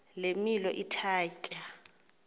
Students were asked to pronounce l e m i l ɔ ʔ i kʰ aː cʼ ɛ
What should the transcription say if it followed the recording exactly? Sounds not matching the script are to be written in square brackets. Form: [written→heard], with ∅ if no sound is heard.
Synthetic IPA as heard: l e m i l ɔ ʔ i [kʰ→tʰ] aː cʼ [ɛ→a]